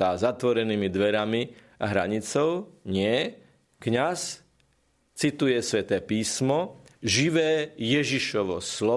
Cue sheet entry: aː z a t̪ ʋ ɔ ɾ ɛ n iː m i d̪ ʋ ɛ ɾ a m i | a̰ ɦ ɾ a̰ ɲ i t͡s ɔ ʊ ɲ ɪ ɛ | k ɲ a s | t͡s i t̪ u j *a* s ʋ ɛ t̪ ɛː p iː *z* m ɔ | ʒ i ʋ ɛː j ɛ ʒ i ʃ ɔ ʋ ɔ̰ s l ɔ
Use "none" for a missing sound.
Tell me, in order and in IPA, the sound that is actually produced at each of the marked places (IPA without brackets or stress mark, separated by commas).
ɛ, s